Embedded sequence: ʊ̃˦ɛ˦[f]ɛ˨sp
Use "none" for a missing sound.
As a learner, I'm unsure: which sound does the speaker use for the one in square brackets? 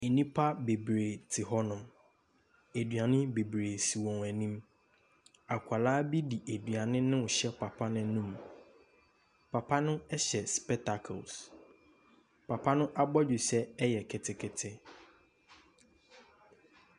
ɕ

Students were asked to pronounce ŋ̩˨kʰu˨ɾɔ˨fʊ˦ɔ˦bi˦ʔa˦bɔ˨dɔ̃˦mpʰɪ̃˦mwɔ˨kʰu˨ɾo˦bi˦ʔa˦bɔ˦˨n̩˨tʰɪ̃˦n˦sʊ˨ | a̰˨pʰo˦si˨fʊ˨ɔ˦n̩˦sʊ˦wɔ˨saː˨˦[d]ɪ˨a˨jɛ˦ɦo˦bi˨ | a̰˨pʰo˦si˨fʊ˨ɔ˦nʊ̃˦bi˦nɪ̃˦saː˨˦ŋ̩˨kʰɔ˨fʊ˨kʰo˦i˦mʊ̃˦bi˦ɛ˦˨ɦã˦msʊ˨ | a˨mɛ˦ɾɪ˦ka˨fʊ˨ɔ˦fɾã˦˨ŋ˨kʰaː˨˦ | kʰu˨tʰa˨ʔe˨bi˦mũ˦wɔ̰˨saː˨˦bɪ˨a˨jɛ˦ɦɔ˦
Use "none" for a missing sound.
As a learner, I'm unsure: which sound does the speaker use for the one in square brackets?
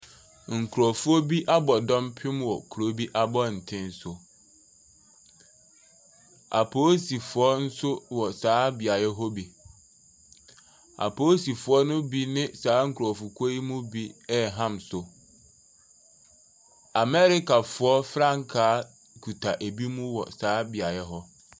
b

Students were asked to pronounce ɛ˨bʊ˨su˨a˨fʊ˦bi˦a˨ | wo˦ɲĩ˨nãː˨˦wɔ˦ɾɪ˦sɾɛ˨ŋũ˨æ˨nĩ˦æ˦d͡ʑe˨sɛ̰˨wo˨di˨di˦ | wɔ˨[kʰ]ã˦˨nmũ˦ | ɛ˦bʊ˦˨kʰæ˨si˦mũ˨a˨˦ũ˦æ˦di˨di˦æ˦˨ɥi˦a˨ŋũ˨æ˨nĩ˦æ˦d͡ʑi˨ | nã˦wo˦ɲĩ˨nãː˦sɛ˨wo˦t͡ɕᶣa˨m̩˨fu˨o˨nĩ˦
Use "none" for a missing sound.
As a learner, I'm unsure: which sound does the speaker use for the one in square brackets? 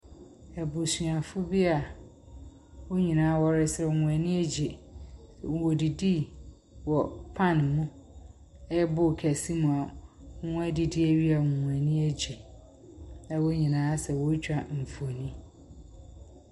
pʰ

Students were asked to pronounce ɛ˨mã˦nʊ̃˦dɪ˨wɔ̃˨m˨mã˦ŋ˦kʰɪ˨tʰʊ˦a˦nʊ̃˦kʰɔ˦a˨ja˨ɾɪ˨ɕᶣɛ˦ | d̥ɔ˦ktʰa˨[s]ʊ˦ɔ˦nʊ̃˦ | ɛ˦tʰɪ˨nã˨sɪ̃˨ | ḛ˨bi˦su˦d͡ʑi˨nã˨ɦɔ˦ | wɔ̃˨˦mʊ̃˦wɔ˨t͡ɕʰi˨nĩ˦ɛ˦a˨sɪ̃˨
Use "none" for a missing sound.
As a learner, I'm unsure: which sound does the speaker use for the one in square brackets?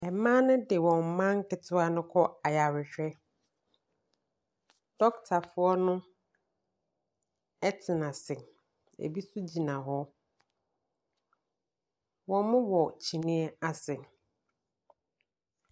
f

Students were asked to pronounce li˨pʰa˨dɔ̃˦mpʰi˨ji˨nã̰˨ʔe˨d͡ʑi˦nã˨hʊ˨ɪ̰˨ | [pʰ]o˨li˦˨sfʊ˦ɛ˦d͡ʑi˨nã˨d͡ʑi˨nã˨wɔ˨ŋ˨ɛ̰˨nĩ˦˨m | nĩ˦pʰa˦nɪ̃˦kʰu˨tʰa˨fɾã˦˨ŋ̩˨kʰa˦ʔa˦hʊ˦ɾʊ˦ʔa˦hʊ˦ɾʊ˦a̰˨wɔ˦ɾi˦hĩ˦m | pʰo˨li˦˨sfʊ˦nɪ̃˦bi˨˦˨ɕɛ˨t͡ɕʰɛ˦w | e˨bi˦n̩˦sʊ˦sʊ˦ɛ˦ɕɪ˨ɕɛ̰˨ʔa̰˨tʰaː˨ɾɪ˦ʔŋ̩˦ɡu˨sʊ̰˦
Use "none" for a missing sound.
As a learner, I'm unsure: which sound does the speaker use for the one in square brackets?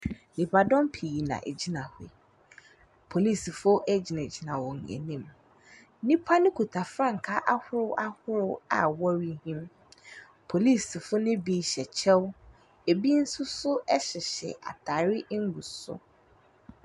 pʰ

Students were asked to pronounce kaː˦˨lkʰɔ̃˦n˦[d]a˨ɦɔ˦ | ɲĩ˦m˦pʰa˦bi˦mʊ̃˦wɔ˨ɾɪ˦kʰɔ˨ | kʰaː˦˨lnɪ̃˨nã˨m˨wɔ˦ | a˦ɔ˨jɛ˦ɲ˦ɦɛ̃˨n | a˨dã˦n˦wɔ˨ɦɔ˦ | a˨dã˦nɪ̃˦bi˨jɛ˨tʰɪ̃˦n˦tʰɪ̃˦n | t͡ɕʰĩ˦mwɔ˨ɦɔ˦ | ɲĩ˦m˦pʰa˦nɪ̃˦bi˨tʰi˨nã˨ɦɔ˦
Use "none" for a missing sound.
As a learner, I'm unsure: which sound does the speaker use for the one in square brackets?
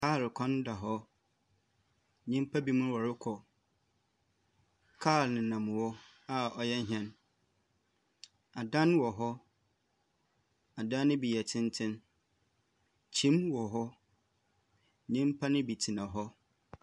d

